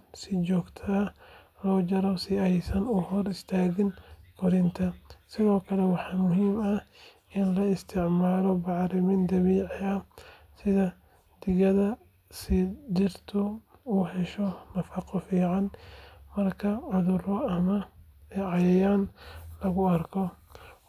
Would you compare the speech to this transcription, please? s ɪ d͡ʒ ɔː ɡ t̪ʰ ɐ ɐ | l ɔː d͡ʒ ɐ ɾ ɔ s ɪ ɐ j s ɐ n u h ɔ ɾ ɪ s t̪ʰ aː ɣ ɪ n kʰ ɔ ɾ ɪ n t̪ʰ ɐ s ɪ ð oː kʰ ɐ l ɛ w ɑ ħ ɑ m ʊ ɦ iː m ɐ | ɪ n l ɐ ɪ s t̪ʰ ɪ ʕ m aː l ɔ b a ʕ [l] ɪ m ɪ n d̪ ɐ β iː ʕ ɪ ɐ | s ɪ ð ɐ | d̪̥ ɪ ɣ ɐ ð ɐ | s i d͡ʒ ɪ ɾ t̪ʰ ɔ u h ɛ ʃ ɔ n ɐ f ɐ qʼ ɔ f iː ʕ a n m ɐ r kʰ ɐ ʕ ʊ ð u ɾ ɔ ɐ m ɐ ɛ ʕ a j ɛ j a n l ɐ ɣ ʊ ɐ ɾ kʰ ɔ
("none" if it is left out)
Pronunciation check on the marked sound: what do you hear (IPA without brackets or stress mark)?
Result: ɾ